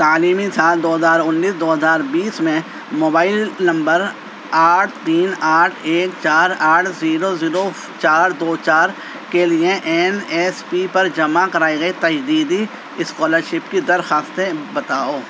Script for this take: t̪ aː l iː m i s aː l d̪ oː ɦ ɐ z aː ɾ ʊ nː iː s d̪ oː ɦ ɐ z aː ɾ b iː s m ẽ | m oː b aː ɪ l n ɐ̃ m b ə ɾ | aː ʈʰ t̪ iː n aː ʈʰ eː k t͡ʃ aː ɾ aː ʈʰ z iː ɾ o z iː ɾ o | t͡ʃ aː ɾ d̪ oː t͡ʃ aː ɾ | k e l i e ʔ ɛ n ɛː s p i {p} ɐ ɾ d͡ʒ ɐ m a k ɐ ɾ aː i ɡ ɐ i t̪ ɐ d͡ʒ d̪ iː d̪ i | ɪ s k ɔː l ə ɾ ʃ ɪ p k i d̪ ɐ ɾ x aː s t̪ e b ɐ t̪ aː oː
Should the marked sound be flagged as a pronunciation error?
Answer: no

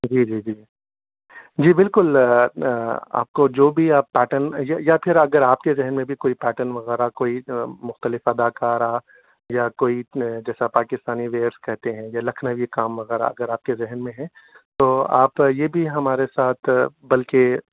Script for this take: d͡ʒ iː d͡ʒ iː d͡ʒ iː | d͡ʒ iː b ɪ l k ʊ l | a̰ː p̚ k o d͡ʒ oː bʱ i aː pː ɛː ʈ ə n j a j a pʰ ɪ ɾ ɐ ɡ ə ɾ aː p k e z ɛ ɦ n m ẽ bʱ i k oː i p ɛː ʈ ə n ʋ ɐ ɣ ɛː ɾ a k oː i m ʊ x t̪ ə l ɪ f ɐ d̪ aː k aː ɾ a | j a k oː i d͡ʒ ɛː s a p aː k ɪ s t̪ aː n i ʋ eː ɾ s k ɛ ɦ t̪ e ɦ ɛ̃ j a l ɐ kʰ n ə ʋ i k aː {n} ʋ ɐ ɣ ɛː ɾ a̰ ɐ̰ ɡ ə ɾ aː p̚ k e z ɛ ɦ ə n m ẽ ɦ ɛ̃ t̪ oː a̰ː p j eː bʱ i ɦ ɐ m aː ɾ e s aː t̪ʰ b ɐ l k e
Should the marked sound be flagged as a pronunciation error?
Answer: yes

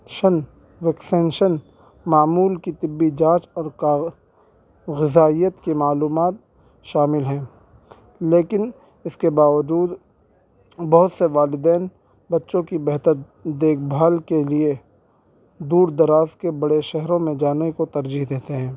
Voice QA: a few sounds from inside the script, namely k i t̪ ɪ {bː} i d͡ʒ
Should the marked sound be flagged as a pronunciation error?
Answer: no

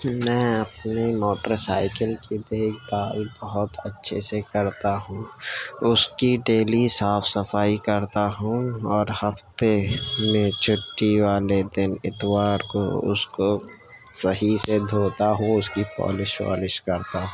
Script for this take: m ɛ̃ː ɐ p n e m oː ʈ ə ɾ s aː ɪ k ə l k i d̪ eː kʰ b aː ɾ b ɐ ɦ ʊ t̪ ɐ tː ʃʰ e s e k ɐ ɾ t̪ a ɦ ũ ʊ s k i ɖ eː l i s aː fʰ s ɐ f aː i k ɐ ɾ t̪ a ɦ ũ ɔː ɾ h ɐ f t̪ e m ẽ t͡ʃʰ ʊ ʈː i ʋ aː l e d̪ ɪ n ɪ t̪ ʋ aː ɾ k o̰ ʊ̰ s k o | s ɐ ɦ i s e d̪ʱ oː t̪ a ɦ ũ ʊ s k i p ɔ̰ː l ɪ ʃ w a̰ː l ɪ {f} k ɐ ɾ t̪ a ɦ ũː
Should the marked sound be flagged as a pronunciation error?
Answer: yes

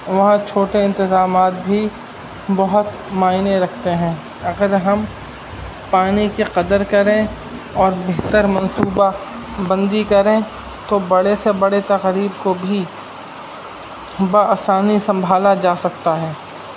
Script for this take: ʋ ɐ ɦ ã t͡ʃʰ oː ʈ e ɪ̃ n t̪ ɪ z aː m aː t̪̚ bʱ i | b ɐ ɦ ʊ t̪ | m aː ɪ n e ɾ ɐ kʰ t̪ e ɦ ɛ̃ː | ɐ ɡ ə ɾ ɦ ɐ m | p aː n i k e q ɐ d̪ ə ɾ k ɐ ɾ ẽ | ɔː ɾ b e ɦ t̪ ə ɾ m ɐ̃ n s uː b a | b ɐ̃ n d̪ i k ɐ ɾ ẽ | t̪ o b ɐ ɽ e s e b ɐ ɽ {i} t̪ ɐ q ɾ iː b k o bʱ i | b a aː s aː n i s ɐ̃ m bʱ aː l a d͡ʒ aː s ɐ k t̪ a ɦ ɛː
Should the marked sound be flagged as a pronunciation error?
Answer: yes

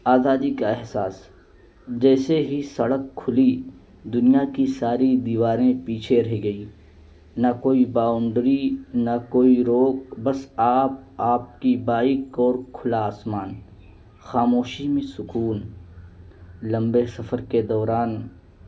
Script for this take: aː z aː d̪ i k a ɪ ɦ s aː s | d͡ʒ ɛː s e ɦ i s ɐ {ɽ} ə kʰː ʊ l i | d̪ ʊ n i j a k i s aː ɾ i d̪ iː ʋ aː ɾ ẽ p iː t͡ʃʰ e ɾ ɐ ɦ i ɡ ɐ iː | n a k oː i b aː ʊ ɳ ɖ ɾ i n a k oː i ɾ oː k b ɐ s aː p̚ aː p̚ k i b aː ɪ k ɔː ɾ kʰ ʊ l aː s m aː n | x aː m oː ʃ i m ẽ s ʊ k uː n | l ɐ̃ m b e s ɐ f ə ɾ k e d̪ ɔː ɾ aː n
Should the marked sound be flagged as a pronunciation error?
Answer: no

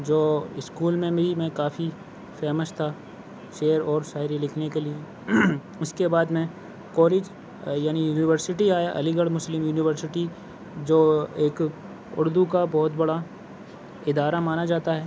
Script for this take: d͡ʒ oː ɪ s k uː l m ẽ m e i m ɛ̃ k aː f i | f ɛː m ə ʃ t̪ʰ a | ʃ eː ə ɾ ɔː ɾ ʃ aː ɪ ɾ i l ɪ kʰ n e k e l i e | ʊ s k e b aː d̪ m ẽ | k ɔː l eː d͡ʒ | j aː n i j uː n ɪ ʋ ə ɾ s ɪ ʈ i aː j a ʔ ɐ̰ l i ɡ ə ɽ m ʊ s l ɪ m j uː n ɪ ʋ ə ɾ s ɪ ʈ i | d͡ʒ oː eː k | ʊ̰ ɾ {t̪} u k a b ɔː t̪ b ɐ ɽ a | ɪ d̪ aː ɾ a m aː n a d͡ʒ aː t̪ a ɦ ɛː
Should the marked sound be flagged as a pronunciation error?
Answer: yes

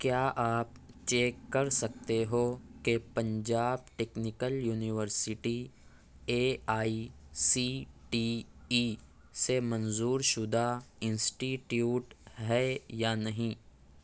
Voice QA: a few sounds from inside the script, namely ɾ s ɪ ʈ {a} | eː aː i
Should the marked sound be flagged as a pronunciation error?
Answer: yes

